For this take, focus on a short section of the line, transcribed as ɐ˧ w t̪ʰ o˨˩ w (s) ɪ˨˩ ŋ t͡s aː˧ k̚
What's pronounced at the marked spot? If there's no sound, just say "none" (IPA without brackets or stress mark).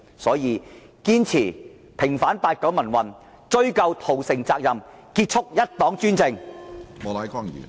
s